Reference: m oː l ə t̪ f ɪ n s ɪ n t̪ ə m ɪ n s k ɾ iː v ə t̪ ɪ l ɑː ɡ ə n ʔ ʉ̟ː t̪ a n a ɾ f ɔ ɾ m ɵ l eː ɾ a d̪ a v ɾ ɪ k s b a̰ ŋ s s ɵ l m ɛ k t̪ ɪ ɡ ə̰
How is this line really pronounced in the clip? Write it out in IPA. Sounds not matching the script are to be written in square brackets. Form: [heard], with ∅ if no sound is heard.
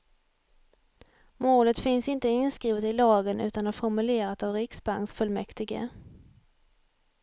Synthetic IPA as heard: m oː l ə t̪ f ɪ n s ɪ n t̪ ə [∅] ɪ n s k ɾ iː v ə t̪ ɪ l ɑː ɡ ə n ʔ ʉ̟ː t̪ a n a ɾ f ɔ ɾ m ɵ l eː ɾ a [t̪] a v ɾ ɪ k s b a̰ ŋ s [f] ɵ l m ɛ k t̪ ɪ ɡ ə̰